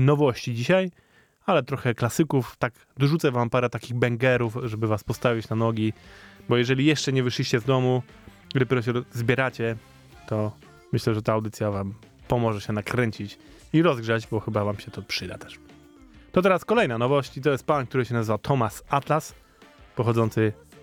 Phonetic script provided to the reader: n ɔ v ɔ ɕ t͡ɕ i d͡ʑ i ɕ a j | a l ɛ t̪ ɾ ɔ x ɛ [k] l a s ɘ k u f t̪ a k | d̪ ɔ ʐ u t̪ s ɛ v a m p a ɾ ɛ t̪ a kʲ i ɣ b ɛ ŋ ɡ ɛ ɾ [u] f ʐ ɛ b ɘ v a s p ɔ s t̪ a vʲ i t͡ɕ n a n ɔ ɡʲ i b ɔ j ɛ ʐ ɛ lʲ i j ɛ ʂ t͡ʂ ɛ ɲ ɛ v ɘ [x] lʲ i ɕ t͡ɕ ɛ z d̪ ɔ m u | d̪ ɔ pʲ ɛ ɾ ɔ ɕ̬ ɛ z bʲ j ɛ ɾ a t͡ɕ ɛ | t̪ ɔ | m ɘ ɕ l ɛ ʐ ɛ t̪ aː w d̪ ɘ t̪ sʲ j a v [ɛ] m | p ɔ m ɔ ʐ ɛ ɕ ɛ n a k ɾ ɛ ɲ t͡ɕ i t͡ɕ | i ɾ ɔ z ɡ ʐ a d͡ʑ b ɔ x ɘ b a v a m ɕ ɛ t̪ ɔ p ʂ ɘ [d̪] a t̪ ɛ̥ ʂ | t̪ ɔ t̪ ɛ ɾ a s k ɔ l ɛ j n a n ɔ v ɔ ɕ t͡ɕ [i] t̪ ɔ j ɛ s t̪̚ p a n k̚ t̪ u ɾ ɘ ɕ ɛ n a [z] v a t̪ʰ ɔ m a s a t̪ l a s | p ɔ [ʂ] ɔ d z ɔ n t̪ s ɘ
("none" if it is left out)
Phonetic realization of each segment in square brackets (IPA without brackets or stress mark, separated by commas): k, u, ʂ, a, d̪, i, z, x